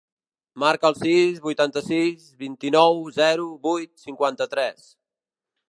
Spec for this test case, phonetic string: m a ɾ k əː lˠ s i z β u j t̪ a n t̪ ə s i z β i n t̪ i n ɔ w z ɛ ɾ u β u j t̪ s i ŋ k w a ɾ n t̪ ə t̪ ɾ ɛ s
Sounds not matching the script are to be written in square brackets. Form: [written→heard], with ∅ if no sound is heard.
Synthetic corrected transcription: m a ɾ k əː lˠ s i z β u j t̪ a n t̪ ə s i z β i n t̪ i n ɔ w z ɛ ɾ u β u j t̪ s i ŋ k w a [ɾ→∅] n t̪ ə t̪ ɾ ɛ s